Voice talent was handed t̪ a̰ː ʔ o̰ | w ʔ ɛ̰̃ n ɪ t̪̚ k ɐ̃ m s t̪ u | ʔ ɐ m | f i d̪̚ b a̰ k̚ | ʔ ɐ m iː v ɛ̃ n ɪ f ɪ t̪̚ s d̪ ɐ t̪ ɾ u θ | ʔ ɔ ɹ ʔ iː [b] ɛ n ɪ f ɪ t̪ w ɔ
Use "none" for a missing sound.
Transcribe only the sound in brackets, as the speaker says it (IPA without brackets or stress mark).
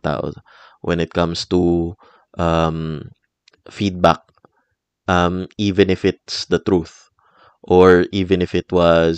v